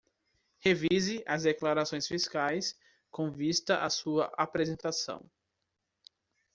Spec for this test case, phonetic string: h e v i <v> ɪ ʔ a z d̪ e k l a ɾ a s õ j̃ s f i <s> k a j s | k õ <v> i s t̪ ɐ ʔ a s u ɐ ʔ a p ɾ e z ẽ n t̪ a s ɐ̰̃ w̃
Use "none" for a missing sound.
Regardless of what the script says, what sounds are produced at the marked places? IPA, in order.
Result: z, s, v

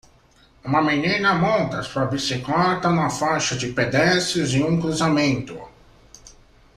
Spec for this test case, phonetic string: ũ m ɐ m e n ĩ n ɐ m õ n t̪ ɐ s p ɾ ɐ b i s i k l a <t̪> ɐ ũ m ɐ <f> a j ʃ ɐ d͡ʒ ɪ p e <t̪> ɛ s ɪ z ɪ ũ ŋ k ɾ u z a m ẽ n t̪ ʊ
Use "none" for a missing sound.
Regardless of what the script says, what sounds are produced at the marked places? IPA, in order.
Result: t̪, f, d̪

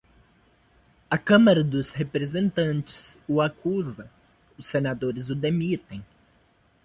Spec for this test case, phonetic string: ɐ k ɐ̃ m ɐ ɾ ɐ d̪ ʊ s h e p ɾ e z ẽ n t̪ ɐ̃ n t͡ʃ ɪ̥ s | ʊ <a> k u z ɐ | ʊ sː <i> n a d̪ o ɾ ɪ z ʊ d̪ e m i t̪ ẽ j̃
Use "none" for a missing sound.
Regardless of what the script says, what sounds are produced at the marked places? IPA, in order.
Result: a, e

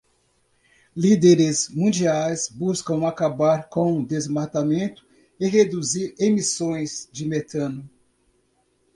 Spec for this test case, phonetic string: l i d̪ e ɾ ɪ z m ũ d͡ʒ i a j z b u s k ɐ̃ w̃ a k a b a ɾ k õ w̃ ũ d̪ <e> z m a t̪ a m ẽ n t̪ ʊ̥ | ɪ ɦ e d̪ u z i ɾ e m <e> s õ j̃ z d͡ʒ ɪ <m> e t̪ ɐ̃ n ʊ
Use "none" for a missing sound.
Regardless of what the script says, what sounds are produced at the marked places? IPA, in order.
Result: e, i, m

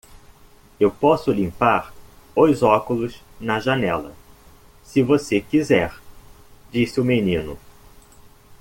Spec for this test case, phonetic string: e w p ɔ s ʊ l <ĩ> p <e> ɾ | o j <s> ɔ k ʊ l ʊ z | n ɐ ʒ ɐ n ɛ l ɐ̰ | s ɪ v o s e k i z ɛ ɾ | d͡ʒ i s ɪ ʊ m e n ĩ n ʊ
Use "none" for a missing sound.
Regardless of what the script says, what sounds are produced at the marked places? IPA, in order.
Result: ĩ, a, z

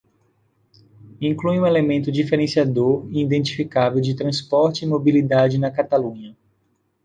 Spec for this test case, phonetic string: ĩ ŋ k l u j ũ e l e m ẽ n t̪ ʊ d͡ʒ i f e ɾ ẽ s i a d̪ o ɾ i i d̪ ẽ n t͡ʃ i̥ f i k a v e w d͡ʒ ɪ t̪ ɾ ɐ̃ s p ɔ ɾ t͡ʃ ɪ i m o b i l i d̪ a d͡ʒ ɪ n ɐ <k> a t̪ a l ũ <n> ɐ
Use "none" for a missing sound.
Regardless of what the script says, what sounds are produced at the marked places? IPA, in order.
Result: k, ɲ

